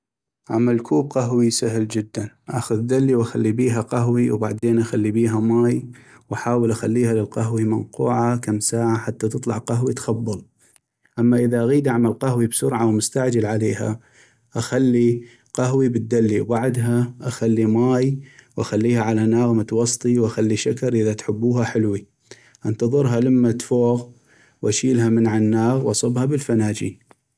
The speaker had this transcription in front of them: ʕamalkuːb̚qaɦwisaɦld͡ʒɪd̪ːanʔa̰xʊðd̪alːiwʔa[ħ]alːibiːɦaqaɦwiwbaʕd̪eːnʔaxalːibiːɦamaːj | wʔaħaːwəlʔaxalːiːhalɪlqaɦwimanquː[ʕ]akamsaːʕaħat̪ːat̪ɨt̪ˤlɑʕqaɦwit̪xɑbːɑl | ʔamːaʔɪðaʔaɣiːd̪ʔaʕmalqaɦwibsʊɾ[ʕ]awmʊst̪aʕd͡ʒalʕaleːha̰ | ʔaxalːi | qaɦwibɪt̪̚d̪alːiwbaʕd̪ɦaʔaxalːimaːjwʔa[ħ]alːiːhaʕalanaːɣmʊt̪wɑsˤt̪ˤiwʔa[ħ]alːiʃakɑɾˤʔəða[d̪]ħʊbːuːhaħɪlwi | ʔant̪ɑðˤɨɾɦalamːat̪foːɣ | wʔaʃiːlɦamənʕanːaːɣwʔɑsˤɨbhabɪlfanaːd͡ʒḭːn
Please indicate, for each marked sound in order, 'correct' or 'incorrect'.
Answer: incorrect, correct, correct, incorrect, incorrect, incorrect

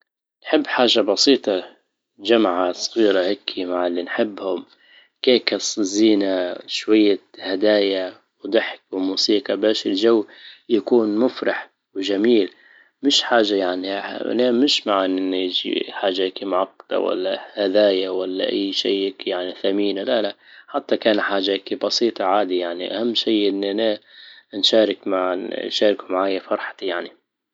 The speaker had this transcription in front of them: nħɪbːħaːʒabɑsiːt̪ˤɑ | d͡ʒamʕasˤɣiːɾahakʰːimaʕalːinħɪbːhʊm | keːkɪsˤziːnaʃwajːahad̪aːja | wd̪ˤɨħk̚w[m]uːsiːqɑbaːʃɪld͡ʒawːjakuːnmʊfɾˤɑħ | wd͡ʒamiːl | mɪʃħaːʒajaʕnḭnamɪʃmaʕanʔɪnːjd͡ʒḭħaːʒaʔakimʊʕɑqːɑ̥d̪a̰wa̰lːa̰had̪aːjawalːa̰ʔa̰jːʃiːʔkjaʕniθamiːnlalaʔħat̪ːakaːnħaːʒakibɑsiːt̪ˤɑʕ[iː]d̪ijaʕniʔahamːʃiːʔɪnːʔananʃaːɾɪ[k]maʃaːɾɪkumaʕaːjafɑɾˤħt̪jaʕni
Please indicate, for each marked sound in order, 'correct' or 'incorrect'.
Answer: correct, incorrect, correct

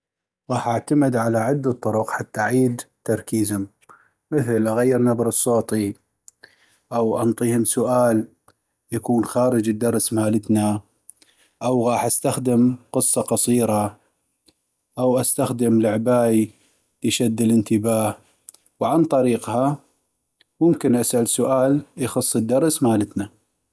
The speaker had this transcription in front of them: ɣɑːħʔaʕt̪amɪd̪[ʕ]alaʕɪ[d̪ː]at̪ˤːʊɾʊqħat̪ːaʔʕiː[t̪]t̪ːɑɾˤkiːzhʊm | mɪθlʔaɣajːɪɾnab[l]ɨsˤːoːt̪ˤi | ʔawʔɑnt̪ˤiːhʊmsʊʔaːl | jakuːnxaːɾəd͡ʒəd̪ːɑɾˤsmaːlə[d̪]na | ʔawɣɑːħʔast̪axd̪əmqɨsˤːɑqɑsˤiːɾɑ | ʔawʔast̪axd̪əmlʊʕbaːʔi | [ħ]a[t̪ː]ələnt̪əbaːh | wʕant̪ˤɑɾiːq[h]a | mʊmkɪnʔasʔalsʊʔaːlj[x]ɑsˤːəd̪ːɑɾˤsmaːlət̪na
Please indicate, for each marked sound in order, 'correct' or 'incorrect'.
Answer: correct, correct, incorrect, incorrect, incorrect, incorrect, incorrect, correct, correct

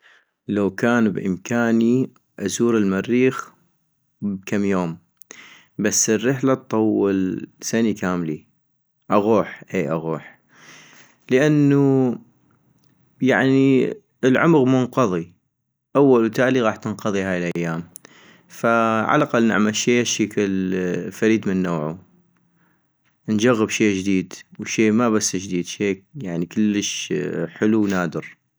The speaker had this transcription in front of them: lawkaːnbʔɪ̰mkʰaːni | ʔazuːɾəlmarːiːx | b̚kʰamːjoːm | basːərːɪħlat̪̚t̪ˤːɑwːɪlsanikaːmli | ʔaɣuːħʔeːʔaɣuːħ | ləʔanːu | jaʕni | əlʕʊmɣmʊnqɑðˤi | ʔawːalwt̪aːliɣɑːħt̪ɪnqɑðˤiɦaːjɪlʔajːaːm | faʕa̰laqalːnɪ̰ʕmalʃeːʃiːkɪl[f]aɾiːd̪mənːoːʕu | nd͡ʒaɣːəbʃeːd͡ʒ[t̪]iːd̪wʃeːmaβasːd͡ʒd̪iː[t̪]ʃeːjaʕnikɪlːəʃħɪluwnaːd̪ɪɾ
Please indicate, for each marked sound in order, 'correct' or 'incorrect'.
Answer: correct, incorrect, incorrect

